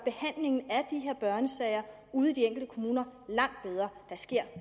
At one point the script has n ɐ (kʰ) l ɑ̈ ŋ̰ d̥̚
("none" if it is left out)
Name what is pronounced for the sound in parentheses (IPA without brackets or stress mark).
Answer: none